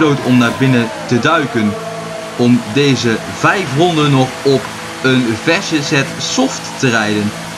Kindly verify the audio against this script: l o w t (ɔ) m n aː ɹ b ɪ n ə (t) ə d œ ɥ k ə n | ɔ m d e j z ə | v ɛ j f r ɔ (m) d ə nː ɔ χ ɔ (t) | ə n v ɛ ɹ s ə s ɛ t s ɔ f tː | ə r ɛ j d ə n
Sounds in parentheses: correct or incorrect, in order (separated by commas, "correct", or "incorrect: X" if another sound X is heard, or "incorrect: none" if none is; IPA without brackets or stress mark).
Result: correct, correct, incorrect: n, incorrect: p